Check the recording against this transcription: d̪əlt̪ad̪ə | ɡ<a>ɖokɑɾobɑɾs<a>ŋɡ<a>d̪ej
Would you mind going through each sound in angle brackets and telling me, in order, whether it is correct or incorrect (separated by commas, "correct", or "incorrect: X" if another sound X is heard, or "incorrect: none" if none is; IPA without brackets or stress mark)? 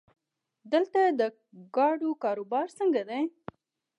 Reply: incorrect: ɑ, incorrect: ə, correct